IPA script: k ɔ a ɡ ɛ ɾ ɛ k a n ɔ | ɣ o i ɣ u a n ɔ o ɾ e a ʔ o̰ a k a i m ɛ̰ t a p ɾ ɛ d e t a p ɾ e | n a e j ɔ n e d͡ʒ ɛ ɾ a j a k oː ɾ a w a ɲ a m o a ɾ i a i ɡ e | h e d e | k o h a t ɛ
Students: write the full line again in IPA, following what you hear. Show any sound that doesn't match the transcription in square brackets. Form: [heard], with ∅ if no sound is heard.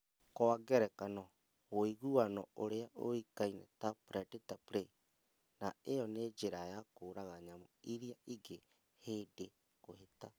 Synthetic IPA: k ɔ a ɡ ɛ ɾ ɛ k a n ɔ | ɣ o i ɣ u a n ɔ o ɾ e a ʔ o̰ [i] k a i [n] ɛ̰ t a p ɾ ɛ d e t a p ɾ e | n a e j ɔ n e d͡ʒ [e] ɾ a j a k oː ɾ a [ɣ] a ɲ a m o [i] ɾ i a i ɡ e | h e d e | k o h [e] t [a]